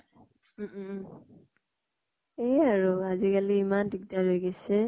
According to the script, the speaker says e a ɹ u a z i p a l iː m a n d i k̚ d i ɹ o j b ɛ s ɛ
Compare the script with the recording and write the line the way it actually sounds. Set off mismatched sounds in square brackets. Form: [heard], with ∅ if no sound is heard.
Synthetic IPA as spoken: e a ɹ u a z i [k] a l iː m a n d i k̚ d [a] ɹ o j [ɡ] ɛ s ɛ